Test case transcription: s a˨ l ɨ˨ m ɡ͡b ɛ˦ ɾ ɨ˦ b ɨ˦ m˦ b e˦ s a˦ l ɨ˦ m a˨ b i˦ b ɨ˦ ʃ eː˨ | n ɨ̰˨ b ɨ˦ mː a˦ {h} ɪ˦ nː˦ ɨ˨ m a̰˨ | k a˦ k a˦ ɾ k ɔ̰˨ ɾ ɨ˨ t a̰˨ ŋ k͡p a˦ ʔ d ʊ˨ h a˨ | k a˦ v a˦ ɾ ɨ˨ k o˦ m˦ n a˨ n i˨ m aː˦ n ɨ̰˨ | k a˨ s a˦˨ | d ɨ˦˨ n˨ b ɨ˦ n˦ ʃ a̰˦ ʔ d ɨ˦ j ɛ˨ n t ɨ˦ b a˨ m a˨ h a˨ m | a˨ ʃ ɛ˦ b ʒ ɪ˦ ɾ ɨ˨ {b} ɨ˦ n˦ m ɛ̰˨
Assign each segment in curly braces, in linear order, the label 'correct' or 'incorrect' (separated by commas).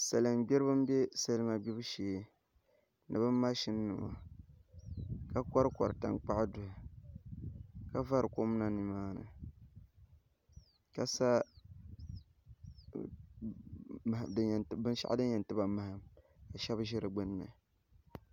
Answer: incorrect, incorrect